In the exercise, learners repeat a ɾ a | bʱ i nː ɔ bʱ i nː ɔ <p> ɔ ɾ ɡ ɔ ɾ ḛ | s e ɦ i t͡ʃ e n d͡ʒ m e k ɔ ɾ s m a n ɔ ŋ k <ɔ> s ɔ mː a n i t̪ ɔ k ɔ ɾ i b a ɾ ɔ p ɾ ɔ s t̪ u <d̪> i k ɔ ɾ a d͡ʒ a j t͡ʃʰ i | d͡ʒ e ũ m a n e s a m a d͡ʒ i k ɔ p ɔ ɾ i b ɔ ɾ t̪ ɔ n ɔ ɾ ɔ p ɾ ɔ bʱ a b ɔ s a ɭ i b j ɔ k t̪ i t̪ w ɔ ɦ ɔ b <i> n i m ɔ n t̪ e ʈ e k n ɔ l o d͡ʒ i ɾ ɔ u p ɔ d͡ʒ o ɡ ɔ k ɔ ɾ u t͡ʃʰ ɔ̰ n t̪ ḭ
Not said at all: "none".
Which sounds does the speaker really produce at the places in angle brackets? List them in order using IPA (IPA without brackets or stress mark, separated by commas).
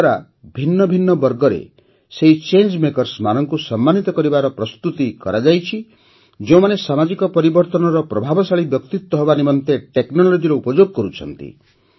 b, u, t̪, a